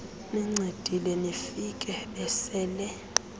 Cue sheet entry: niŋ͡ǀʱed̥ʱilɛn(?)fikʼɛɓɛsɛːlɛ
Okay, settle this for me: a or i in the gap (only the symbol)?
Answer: i